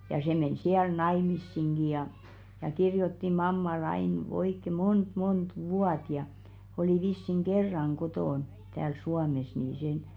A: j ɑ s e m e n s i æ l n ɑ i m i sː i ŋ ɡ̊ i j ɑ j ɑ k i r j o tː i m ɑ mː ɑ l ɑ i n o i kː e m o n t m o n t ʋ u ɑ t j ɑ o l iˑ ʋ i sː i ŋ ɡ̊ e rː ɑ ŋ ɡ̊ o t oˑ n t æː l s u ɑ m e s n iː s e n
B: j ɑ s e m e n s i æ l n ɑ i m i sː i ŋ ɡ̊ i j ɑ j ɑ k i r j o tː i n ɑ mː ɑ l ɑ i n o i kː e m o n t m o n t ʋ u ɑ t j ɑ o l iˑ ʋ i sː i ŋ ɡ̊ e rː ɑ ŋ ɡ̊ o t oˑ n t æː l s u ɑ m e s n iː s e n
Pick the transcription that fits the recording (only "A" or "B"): A